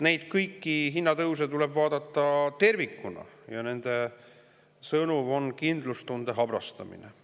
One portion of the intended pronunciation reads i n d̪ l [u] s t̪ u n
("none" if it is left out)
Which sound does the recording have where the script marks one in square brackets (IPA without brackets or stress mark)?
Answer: u